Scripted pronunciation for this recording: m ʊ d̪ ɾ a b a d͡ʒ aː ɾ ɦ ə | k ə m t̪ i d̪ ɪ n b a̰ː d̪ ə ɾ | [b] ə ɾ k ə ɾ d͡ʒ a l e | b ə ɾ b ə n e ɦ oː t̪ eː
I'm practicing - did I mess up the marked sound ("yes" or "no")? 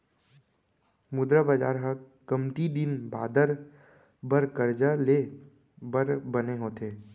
no